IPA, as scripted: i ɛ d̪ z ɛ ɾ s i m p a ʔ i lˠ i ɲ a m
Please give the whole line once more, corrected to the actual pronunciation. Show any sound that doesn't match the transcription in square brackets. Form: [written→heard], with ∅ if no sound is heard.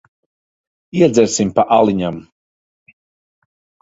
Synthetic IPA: i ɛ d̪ z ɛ ɾ s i m p a ʔ [i→a] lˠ i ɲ a m